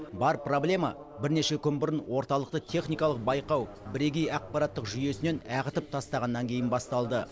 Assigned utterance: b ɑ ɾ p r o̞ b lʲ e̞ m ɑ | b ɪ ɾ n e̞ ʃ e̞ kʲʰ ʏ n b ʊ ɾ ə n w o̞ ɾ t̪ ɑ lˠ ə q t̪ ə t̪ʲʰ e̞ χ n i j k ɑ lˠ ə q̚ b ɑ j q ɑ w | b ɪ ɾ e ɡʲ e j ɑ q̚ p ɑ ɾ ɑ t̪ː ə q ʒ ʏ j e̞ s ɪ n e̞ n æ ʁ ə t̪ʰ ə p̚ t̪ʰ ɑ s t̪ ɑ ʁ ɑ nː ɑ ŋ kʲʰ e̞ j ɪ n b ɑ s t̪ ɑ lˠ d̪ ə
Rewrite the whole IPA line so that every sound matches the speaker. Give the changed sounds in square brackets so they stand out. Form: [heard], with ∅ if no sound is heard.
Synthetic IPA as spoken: b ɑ ɾ p r o̞ b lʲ e̞ m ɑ | b ɪ ɾ n e̞ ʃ e̞ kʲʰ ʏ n b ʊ ɾ ə n w o̞ ɾ t̪ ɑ lˠ ə q t̪ ə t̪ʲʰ e̞ χ n i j k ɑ lˠ ə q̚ b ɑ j q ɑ w | b ɪ ɾ e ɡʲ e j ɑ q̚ p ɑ ɾ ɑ t̪ː ə q ʒ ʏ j e̞ s ɪ n e̞ n æ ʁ ə [t̪] ə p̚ t̪ʰ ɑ s t̪ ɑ ʁ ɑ nː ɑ ŋ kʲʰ e̞ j ɪ n b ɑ s t̪ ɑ lˠ d̪ ə